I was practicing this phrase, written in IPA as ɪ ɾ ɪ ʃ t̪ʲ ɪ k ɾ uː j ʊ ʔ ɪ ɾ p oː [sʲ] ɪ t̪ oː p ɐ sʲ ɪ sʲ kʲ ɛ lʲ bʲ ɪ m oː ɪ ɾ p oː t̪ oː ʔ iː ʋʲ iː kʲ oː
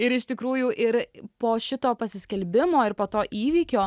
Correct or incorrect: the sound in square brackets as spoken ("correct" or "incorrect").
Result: incorrect